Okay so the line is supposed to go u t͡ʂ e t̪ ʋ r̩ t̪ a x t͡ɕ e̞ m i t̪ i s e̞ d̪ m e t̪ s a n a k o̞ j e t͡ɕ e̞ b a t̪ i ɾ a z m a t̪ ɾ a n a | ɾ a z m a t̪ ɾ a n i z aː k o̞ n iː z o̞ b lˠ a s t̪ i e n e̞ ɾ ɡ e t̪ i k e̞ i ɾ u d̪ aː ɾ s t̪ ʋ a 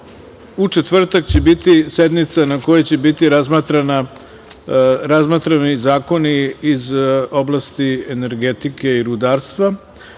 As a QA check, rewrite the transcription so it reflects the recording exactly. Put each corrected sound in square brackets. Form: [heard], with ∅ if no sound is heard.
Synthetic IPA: u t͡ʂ e t̪ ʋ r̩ t̪ a [k] t͡ɕ e̞ [b] i t̪ i s e̞ d̪ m [i] t̪ s a n a k o̞ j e t͡ɕ e̞ b [i] t̪ i ɾ a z m a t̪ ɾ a n a | ɾ a z m a t̪ ɾ a n i z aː k o̞ n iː z o̞ b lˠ a s t̪ i e n e̞ ɾ ɡ e t̪ i k e̞ i ɾ u d̪ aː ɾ s t̪ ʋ a

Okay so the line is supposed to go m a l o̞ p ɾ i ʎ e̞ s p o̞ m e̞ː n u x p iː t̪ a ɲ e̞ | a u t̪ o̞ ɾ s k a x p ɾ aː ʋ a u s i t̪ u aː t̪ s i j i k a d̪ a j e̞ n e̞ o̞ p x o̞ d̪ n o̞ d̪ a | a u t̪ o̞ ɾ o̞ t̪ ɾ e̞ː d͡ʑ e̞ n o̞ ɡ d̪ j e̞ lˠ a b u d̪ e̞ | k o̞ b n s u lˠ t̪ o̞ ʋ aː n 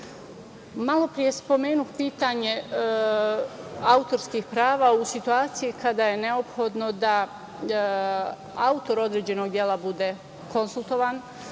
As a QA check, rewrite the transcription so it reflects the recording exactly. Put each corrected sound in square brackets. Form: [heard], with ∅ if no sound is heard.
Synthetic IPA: m a l o̞ p ɾ i [j] e̞ s p o̞ m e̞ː n u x p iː t̪ a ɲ e̞ | a u t̪ o̞ ɾ s k [i] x p ɾ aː ʋ a u s i t̪ u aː t̪ s i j i k a d̪ a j e̞ n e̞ o̞ p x o̞ d̪ n o̞ d̪ a | a u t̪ o̞ ɾ o̞ [d̪] ɾ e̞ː d͡ʑ e̞ n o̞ ɡ d̪ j e̞ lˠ a b u d̪ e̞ | k o̞ [∅] n s u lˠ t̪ o̞ ʋ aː n

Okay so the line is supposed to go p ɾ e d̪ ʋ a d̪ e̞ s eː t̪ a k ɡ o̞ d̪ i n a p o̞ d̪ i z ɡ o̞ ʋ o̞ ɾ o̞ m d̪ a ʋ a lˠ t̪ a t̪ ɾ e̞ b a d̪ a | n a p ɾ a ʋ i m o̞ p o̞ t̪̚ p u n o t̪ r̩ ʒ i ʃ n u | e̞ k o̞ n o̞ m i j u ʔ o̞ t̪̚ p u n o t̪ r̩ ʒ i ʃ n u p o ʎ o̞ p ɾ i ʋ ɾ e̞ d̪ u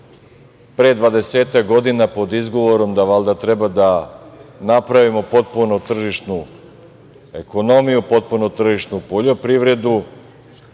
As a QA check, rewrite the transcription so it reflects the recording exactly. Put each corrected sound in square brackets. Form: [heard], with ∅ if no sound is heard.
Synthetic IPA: p ɾ e d̪ ʋ a d̪ e̞ s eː t̪ a k ɡ o̞ d̪ i n a p o̞ d̪ i z ɡ o̞ ʋ o̞ ɾ o̞ m d̪ a ʋ a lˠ [d̪] a t̪ ɾ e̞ b a d̪ a | n a p ɾ a ʋ i m o̞ p o̞ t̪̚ p u n o t̪ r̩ ʒ i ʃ n u | e̞ k o̞ n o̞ m i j u [p] o̞ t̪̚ p u n o t̪ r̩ ʒ i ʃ n u p o ʎ o̞ p ɾ i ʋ ɾ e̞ d̪ u

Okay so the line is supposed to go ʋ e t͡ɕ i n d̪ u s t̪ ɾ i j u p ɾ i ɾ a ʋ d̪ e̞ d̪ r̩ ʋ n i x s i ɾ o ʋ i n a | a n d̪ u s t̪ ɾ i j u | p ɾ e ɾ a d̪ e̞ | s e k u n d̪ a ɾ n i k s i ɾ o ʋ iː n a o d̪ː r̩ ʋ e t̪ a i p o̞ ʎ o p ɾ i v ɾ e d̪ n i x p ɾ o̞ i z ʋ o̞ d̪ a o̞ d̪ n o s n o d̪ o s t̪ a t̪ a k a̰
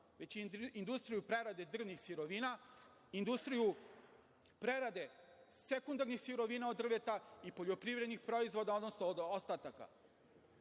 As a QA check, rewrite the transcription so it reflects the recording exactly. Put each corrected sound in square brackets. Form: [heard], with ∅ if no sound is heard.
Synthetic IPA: ʋ e t͡ɕ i n d̪ u s t̪ ɾ i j u p ɾ [e] ɾ a [∅] d̪ e̞ d̪ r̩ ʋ n i x s i ɾ o ʋ i n a | [i] n d̪ u s t̪ ɾ i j u | p ɾ e ɾ a d̪ e̞ | s e k u n d̪ a ɾ n i [x] s i ɾ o ʋ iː n a o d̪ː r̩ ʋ e t̪ a i p o̞ ʎ o p ɾ i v ɾ e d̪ n i x p ɾ o̞ i z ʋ o̞ d̪ a o̞ d̪ n o s n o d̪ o s t̪ a t̪ a k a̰

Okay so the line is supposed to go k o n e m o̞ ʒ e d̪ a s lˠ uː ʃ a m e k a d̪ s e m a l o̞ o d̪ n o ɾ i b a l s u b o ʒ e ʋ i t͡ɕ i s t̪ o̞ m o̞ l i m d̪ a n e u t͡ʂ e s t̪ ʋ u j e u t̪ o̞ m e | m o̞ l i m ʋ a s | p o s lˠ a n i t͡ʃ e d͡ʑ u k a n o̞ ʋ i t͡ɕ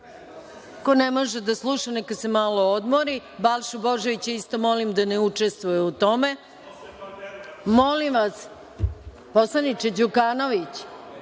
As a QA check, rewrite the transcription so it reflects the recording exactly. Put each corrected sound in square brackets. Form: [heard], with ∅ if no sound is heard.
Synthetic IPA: k o n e m o̞ ʒ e d̪ a s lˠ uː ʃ a [n] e k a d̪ s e m a l o̞ o d̪ [m] o ɾ i b a l [ʃ] u b o ʒ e ʋ i t͡ɕ i s t̪ o̞ m o̞ l i m d̪ a n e u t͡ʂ e s t̪ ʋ u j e u t̪ o̞ m e | m o̞ l i m ʋ a s | p o s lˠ a n i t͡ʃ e d͡ʑ u k a n o̞ ʋ i t͡ɕ

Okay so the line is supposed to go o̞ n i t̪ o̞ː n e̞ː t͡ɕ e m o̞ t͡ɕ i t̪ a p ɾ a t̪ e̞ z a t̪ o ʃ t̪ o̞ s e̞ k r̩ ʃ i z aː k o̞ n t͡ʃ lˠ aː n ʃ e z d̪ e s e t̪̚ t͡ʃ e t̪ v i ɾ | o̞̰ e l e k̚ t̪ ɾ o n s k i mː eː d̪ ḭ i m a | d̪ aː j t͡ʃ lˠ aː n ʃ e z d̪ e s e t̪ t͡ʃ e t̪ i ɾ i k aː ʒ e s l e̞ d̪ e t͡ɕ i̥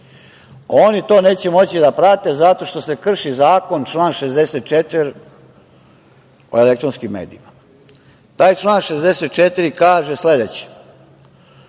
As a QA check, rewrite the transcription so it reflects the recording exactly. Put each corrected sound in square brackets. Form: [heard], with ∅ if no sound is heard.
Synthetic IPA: o̞ n i t̪ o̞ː n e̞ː t͡ɕ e m o̞ t͡ɕ i [d̪] a p ɾ a t̪ e̞ z a t̪ o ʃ t̪ o̞ s e̞ k r̩ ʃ i z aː k o̞ n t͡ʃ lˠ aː n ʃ e z d̪ e s e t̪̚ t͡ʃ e t̪ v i ɾ | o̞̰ e l e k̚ t̪ ɾ o n s k i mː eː d̪ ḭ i m a | [t̪] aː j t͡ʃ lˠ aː n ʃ e z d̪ e s e t̪ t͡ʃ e t̪ i ɾ i k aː ʒ e s l e̞ d̪ e t͡ɕ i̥

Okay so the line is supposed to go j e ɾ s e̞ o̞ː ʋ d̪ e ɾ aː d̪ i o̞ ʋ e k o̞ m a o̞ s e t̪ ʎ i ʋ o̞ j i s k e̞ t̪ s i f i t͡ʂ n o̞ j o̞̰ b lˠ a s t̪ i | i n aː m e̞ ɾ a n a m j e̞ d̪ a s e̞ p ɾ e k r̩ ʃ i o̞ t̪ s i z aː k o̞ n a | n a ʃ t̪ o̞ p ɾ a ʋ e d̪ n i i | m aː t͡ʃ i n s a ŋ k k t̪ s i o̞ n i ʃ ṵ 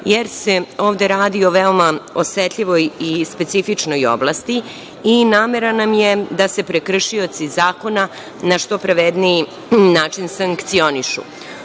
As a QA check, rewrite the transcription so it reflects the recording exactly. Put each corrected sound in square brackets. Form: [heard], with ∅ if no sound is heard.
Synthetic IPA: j e ɾ s e̞ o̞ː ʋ d̪ e ɾ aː d̪ i o̞ ʋ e [∅] o̞ m a o̞ s e t̪ ʎ i ʋ o̞ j i s [p] e̞ t̪ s i f i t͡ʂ n o̞ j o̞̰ b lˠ a s t̪ i | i n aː m e̞ ɾ a n a m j e̞ d̪ a s e̞ p ɾ e k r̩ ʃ i o̞ t̪ s i z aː k o̞ n a | n a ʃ t̪ o̞ p ɾ a ʋ e d̪ n i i | [n] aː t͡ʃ i n s a ŋ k k t̪ s i o̞ n i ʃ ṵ

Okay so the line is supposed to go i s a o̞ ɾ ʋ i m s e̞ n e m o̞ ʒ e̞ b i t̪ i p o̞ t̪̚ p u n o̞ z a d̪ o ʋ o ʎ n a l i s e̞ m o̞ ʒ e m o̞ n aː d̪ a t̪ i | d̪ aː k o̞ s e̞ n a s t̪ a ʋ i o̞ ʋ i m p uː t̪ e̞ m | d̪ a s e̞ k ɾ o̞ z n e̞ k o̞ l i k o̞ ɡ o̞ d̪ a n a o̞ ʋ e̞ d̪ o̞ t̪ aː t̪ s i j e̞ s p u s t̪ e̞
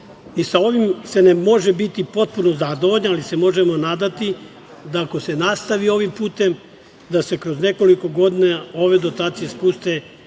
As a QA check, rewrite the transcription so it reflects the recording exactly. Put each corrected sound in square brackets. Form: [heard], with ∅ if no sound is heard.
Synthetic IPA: i s a o̞ [∅] ʋ i m s e̞ n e m o̞ ʒ e̞ b i t̪ i p o̞ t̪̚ p u n o̞ z a d̪ o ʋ o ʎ n a l i s e̞ m o̞ ʒ e m o̞ n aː d̪ a t̪ i | d̪ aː k o̞ s e̞ n a s t̪ a ʋ i o̞ ʋ i m p uː t̪ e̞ m | d̪ a s e̞ k ɾ o̞ z n e̞ k o̞ l i k o̞ ɡ o̞ d̪ [i] n a o̞ ʋ e̞ d̪ o̞ t̪ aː t̪ s i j e̞ s p u s t̪ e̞

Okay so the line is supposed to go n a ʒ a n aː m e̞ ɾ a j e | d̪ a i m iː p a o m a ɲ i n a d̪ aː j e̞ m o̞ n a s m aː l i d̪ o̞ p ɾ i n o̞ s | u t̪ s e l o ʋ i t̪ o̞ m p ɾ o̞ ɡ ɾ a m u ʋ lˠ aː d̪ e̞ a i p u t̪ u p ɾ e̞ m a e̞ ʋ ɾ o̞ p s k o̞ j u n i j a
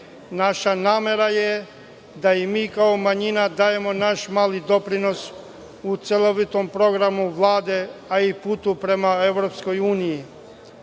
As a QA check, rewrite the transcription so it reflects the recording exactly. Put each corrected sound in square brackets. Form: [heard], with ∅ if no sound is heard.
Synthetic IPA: n a [ʃ] a n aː m e̞ ɾ a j e | d̪ a i m iː [k] a o m a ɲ i n a d̪ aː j e̞ m o̞ n a [ʃ] m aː l i d̪ o̞ p ɾ i n o̞ s | u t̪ s e l o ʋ i t̪ o̞ m p ɾ o̞ ɡ ɾ a m u ʋ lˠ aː d̪ e̞ a i p u t̪ u p ɾ e̞ m a e̞ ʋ ɾ o̞ p s k o̞ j [uː] n i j [i]

